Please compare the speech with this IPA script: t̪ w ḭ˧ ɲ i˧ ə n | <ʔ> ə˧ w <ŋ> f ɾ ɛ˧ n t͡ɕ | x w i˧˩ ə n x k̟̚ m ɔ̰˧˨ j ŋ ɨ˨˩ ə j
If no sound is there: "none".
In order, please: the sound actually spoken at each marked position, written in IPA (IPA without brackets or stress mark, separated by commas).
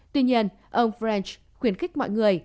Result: ʔ, ŋ͡m